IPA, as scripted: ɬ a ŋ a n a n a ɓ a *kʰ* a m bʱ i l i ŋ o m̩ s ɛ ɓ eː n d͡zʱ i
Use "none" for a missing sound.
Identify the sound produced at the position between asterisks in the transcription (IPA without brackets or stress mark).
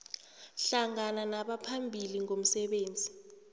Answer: pʰ